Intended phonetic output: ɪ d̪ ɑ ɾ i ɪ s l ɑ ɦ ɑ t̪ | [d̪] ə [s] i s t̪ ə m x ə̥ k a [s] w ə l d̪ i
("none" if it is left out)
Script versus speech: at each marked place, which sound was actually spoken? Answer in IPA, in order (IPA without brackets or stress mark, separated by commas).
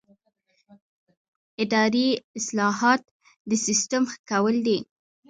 d̪, s, none